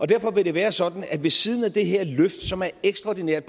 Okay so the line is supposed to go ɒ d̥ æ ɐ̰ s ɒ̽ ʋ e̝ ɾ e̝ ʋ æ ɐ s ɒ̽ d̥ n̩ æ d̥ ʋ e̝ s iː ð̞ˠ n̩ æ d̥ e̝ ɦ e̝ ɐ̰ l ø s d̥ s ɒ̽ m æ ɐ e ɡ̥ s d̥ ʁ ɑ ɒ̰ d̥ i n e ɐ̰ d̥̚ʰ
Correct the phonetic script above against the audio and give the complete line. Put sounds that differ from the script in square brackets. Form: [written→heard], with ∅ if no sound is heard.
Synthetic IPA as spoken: ɒ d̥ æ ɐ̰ [s→f] ɒ̽ ʋ e̝ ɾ e̝ ʋ [æ→æː] ɐ s ɒ̽ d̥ n̩ æ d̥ ʋ e̝ s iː ð̞ˠ n̩ æ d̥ e̝ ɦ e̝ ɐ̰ l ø [s→f] d̥ s ɒ̽ m æ ɐ e ɡ̥ s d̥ ʁ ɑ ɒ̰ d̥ i n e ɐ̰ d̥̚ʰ